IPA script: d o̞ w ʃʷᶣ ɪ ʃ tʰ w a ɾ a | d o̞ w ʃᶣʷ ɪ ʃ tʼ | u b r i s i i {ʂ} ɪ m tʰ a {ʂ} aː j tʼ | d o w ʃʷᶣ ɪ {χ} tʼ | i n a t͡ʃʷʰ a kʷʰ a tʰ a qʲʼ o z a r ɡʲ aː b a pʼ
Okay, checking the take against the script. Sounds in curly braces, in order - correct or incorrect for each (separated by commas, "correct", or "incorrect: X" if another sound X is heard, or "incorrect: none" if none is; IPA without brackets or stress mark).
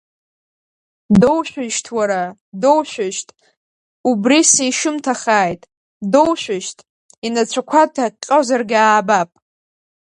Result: incorrect: ʃ, incorrect: χ, incorrect: ʃ